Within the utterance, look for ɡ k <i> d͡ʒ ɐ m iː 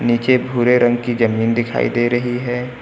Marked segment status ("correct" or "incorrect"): correct